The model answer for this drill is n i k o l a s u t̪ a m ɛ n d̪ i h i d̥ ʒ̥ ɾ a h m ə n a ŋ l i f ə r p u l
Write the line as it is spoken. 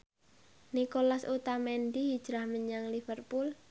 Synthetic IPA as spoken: n i k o l a s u t̪ a m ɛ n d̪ i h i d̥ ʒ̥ ɾ a h m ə ɲ a ŋ l i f ə r p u l